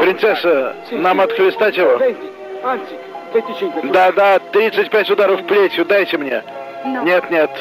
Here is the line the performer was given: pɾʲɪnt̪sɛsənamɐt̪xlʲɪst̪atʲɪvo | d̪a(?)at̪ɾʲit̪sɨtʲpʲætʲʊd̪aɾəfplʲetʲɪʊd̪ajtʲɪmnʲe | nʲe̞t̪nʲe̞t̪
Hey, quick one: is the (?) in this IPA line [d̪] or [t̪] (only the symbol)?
d̪